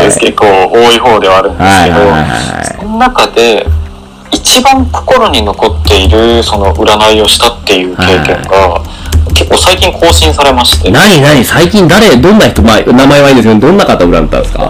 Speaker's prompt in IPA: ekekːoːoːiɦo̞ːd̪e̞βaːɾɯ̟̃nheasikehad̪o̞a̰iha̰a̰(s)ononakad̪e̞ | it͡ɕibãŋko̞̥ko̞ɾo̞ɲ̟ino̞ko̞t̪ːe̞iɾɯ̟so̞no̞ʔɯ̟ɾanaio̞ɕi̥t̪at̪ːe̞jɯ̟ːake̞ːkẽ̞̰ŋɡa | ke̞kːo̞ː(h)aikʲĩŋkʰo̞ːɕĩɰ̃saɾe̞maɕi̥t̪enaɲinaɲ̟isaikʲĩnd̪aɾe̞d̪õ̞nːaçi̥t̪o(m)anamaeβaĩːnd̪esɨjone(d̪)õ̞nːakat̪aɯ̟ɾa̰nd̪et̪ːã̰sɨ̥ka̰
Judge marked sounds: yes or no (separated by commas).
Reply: yes, no, yes, yes